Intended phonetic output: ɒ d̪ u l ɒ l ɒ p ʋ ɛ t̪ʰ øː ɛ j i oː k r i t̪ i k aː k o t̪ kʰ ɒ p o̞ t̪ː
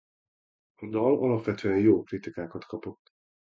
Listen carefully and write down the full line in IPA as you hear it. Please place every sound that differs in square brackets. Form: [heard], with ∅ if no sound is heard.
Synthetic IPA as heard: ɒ d̪ [ɒ] l ɒ l ɒ p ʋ ɛ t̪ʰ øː ɛ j [j] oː k r i t̪ i k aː k [ɒ] t̪ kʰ ɒ p o̞ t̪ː